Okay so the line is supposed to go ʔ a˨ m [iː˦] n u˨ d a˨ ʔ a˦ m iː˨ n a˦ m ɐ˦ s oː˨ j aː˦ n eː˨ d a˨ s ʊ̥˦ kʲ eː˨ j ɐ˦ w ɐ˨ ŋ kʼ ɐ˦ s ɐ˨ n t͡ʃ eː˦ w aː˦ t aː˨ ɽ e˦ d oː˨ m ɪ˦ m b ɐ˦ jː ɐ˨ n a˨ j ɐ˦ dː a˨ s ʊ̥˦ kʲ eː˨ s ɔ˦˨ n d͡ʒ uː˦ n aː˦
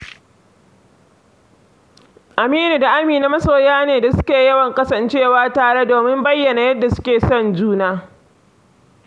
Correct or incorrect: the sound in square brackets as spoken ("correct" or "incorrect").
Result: correct